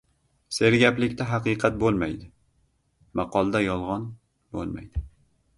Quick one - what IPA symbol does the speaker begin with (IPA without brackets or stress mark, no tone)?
s